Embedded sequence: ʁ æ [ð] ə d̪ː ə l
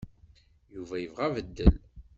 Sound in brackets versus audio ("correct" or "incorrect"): incorrect